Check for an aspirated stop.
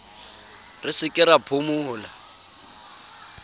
present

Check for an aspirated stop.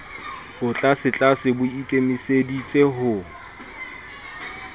absent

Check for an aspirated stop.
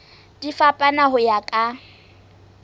absent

